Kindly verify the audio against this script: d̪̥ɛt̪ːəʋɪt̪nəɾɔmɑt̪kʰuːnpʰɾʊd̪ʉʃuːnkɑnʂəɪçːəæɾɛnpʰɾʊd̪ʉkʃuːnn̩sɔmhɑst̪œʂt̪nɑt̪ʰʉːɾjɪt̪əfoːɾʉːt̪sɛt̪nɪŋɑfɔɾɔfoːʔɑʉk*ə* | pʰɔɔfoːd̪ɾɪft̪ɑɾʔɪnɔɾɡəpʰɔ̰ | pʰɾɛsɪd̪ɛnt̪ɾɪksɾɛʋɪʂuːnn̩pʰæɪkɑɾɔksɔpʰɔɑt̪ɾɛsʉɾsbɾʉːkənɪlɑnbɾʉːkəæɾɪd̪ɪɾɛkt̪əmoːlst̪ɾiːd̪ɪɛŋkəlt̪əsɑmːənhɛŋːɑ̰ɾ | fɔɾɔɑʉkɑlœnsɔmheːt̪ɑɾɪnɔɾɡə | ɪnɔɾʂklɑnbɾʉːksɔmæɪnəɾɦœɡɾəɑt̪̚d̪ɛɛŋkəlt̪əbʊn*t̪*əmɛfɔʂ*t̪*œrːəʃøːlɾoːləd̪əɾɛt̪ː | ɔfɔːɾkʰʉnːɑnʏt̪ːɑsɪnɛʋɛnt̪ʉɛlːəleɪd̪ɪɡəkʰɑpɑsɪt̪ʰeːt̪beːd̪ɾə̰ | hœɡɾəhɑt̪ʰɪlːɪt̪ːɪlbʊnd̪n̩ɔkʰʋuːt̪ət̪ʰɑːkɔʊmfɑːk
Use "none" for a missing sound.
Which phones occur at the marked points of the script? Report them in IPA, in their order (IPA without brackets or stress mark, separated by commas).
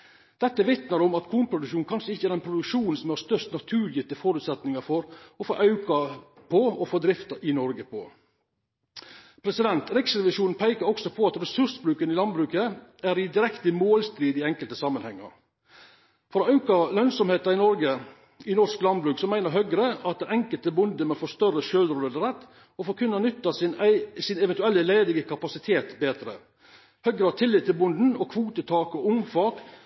ɑ, d̪, t̪